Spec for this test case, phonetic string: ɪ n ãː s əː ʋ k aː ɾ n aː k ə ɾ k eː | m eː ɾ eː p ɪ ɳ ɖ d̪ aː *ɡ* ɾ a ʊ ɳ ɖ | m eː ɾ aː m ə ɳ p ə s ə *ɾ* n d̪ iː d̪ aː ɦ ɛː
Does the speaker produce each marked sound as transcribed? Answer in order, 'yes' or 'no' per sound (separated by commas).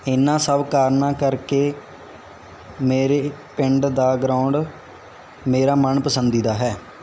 yes, no